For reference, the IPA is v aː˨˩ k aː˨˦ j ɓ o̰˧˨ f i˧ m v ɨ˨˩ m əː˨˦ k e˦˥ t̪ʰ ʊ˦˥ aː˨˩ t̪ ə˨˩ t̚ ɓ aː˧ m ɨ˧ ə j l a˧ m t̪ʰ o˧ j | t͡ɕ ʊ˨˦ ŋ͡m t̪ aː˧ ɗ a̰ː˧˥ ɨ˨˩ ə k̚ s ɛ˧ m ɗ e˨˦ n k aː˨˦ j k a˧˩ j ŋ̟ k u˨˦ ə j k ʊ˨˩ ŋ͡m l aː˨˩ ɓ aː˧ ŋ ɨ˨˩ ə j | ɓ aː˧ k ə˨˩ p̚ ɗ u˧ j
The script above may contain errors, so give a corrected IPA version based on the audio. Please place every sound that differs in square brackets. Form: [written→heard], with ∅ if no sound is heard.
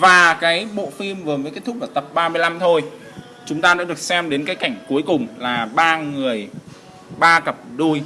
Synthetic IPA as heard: v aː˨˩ k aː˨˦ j ɓ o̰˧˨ f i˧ m v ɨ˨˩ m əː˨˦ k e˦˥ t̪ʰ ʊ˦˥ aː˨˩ t̪ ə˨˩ [t̚→p̚] ɓ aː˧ m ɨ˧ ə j l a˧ m t̪ʰ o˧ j | t͡ɕ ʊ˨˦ ŋ͡m t̪ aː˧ ɗ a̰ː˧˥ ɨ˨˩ ə k̚ s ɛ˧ m ɗ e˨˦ n k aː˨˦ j k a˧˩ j ŋ̟ k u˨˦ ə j k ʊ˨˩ ŋ͡m l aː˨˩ ɓ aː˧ ŋ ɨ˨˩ ə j | ɓ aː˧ k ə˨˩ p̚ ɗ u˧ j